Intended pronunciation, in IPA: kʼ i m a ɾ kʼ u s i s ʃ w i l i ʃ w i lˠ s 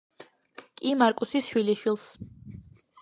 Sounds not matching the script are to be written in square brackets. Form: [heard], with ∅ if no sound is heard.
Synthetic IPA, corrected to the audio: kʼ i m a ɾ kʼ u s i s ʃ w i l i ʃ w i lˠ s